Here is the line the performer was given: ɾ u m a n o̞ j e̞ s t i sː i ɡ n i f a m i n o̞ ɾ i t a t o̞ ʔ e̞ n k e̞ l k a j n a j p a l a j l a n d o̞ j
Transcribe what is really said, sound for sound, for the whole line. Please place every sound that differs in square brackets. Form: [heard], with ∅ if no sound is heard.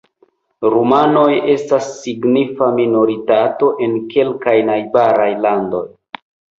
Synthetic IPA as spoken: ɾ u m a n o̞ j e̞ s t [a] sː i ɡ n i f a m i n o̞ ɾ i t a t o̞ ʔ e̞ n k e̞ l k a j n a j [b] a [ɾ] a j l a n d o̞ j